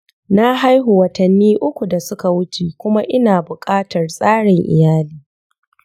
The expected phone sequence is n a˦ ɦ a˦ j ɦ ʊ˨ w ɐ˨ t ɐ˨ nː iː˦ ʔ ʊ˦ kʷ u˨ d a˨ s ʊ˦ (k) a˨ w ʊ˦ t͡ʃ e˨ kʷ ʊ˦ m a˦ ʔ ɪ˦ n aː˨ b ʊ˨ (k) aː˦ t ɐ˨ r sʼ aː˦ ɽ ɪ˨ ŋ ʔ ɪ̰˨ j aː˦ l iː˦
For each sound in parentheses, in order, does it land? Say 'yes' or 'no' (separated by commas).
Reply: yes, no